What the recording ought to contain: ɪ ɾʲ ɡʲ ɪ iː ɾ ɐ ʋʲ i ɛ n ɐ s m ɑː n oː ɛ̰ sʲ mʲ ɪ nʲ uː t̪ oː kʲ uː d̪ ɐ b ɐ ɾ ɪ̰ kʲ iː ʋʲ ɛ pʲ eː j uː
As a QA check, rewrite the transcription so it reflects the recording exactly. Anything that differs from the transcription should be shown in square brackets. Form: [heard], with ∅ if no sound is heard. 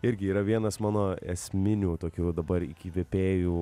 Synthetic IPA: ɪ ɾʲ ɡʲ ɪ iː ɾ ɐ ʋʲ i ɛ n ɐ s m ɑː n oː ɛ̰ sʲ mʲ ɪ nʲ uː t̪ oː kʲ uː d̪ ɐ b ɐ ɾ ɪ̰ kʲ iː ʋʲ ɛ pʲ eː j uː